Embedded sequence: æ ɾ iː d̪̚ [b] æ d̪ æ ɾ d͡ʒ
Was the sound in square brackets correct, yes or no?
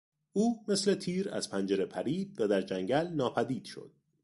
no